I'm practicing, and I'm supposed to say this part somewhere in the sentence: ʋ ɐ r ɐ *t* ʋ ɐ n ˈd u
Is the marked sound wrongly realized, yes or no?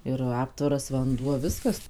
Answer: yes